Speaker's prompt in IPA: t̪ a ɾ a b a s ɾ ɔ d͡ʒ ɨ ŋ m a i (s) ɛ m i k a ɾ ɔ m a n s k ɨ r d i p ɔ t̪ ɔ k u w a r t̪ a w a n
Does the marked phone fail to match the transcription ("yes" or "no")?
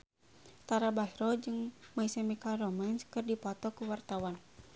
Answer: no